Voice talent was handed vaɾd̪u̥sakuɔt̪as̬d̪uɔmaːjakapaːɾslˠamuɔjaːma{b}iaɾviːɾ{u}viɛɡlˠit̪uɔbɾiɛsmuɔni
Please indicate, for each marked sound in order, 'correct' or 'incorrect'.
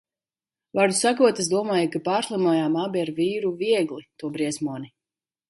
correct, correct

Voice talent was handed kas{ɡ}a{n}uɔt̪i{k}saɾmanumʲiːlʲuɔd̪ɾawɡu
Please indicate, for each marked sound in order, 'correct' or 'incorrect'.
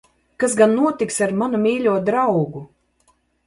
correct, incorrect, correct

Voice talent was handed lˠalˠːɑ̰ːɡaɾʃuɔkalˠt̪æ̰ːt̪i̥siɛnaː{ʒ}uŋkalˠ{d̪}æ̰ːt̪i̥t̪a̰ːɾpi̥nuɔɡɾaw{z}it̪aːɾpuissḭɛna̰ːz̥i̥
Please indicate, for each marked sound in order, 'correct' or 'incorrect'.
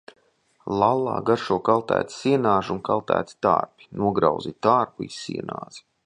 correct, incorrect, correct

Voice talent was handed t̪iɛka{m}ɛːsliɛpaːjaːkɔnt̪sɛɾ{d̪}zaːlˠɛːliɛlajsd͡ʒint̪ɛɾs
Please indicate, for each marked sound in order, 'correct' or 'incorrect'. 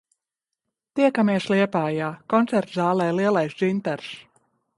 correct, incorrect

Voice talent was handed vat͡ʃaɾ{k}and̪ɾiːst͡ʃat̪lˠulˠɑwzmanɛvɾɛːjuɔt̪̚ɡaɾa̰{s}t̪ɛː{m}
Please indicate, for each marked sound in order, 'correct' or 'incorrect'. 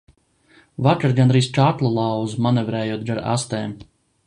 incorrect, correct, correct

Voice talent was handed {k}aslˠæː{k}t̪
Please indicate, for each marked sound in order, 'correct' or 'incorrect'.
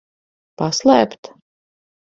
incorrect, incorrect

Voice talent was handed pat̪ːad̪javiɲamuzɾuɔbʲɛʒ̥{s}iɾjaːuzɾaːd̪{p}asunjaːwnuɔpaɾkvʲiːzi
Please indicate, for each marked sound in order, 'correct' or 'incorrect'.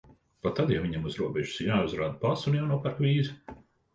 correct, correct

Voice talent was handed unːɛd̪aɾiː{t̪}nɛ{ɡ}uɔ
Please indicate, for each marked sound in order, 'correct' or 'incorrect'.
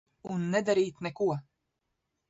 correct, incorrect

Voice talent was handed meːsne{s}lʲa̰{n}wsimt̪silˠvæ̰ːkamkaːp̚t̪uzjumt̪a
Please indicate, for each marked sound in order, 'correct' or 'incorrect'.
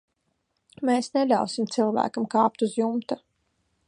incorrect, incorrect

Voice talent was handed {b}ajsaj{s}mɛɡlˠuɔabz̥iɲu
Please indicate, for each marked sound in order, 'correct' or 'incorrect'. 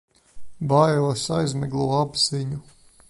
correct, incorrect

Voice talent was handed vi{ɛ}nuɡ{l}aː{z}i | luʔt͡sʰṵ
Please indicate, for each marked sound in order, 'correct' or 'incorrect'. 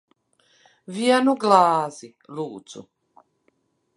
incorrect, correct, correct

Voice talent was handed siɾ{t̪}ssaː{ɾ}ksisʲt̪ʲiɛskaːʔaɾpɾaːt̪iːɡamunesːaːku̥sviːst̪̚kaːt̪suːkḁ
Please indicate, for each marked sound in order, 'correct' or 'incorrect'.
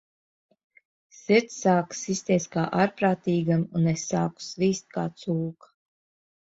correct, incorrect

